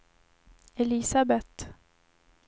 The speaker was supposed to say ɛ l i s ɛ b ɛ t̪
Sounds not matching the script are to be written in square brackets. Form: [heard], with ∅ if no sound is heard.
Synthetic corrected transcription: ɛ l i s [a] b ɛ t̪